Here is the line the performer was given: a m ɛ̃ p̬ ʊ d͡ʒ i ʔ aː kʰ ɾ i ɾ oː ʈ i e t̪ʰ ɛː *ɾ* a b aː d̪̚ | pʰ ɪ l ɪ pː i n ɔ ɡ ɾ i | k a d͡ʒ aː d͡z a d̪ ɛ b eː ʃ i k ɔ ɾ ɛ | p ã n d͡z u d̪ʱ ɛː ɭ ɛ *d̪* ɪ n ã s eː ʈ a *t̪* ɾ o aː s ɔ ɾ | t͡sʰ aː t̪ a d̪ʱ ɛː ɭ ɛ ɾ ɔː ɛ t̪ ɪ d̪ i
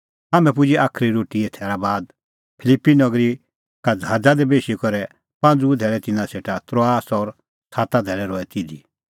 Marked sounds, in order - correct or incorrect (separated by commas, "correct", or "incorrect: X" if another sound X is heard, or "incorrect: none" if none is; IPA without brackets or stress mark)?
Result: correct, incorrect: t̪, correct